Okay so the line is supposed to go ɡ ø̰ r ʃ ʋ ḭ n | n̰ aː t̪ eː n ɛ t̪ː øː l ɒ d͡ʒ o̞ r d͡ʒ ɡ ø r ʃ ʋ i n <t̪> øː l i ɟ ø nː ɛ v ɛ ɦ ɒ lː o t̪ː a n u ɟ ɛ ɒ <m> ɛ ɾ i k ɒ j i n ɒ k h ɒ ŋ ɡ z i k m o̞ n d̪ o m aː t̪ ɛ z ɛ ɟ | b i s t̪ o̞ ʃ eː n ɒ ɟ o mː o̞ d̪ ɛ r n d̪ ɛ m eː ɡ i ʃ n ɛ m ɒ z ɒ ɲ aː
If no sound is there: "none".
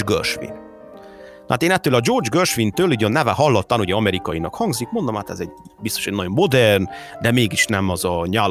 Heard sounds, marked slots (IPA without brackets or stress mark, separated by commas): t̪, m